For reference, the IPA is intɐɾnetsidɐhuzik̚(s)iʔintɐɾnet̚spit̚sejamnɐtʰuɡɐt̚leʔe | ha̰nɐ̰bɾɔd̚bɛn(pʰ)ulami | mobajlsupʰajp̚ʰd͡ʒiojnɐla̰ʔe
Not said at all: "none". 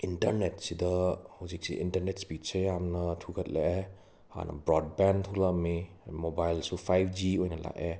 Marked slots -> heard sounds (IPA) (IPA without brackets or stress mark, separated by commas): s, tʰ